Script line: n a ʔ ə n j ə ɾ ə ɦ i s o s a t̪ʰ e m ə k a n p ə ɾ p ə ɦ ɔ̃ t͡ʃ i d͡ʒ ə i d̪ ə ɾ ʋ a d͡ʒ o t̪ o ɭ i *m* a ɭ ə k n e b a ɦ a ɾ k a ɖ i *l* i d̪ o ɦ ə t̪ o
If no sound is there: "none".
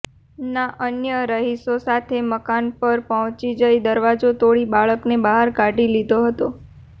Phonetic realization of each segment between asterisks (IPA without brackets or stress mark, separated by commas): b, l